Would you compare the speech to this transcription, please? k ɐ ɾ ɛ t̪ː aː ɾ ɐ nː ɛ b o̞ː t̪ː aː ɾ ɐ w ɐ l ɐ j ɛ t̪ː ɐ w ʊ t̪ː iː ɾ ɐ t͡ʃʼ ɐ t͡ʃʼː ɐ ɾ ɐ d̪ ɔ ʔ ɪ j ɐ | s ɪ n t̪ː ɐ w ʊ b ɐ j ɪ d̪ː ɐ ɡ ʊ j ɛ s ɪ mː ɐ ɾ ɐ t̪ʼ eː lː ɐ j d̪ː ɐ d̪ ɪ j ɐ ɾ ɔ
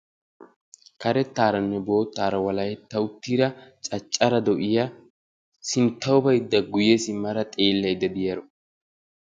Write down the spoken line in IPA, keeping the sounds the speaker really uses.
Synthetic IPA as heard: k ɐ ɾ ɛ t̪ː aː ɾ ɐ nː ɛ b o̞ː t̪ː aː ɾ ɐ w ɐ l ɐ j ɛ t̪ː ɐ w ʊ t̪ː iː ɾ ɐ t͡ʃʼ ɐ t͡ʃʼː ɐ ɾ ɐ d̪ ɔ ʔ ɪ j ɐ | s ɪ n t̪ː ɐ w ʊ b ɐ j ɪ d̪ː ɐ ɡ ʊ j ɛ s ɪ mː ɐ ɾ ɐ t̪ʼ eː lː ɐ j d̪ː ɐ d̪ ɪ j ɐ ɾ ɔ